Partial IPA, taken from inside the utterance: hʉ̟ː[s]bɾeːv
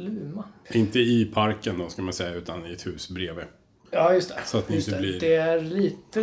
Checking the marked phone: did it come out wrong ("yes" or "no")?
no